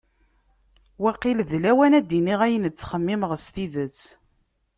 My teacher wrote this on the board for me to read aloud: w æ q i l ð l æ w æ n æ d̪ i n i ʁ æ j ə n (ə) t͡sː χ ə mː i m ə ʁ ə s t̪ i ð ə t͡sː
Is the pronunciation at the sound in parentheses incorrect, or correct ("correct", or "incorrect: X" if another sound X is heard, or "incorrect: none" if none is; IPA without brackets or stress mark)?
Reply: correct